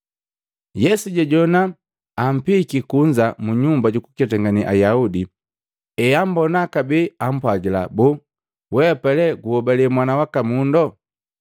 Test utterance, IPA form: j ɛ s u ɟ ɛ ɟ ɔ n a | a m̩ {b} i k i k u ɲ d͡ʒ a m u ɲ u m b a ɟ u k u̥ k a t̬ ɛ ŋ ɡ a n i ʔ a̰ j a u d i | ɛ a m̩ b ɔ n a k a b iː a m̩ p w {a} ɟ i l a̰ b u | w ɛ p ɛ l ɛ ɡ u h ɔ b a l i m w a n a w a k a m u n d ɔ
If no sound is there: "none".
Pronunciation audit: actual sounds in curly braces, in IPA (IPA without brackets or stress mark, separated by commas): p, a